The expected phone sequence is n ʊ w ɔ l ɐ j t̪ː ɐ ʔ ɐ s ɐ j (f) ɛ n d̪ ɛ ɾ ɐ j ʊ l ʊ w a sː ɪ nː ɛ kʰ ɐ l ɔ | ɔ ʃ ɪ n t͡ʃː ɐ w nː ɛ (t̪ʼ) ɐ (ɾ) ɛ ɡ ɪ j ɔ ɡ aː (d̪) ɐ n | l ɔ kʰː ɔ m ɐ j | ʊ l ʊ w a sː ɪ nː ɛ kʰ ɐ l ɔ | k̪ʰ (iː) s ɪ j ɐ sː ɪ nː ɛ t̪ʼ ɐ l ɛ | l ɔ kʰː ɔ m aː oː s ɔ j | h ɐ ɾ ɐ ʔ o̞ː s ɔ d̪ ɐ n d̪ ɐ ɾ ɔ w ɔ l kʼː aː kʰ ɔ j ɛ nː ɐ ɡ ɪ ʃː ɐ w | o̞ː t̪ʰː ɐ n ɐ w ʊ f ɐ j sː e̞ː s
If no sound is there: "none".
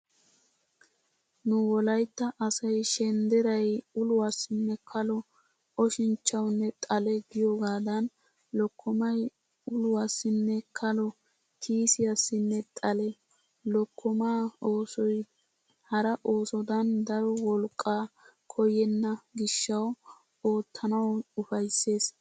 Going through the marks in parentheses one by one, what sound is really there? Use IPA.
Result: ʃ, t̪ʼ, l, d̪, iː

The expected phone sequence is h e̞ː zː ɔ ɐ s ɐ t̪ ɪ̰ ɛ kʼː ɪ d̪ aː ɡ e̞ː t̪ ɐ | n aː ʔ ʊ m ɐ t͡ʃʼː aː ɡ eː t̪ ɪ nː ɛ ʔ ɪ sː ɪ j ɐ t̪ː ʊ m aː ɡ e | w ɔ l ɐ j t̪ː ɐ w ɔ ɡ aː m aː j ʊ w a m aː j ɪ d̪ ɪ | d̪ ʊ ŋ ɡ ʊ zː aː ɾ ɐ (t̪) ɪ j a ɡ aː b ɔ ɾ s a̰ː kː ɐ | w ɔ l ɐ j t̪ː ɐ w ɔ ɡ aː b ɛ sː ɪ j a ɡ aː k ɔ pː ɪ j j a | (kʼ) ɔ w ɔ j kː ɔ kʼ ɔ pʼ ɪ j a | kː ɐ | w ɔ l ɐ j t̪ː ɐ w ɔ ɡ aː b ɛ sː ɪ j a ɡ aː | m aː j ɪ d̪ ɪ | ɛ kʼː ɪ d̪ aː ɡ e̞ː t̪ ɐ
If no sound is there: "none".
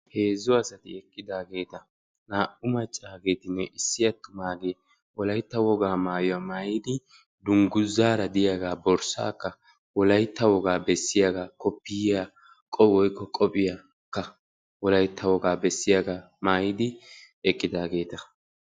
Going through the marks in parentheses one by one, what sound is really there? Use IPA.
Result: d̪, kʼ

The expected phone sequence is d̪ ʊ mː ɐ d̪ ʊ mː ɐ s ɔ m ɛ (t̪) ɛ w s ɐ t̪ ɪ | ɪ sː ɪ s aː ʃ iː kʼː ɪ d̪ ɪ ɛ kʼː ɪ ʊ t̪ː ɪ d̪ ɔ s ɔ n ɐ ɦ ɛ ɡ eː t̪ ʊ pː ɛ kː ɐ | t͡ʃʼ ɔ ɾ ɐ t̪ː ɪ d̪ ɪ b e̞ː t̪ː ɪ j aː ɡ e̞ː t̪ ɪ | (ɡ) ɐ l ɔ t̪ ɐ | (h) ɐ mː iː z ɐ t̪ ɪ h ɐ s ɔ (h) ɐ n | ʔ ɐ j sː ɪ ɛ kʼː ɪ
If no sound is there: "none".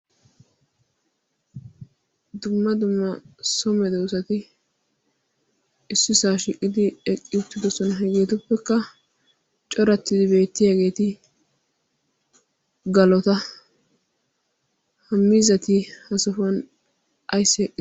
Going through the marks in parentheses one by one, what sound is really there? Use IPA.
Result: d̪, ɡ, h, f

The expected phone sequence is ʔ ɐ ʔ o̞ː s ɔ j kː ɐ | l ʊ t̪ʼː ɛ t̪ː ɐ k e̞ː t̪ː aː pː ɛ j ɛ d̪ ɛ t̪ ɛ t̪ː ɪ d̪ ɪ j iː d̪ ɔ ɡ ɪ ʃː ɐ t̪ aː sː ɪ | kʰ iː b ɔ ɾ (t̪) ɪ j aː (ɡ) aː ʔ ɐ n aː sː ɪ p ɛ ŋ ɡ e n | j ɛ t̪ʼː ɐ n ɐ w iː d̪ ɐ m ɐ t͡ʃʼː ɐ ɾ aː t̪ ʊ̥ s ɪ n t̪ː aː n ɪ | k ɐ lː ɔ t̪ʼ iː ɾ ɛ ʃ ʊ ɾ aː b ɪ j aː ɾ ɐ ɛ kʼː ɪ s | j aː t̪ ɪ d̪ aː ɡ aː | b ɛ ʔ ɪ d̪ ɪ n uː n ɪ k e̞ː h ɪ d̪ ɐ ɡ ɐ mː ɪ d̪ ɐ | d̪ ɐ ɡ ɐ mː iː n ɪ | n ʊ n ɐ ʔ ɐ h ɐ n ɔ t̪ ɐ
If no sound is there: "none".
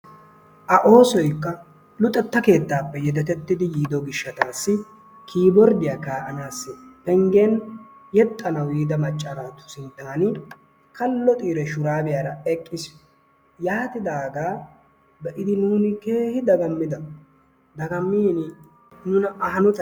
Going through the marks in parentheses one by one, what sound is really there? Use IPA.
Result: d̪, k

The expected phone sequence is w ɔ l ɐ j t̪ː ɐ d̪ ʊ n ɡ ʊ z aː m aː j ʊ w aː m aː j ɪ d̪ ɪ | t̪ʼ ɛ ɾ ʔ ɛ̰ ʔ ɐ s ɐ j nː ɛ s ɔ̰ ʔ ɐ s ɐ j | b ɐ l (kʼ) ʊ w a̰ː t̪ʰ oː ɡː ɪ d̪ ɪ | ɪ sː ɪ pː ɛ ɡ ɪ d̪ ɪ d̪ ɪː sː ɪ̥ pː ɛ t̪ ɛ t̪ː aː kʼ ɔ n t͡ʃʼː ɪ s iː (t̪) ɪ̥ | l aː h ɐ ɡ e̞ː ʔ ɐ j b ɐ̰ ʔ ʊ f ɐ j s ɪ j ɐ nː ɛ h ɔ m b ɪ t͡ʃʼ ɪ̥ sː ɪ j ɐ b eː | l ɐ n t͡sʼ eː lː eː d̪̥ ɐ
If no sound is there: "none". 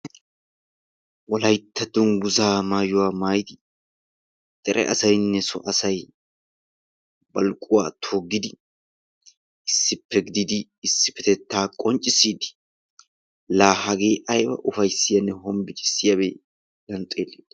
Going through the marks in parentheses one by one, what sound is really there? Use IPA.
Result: kʼ, d̪

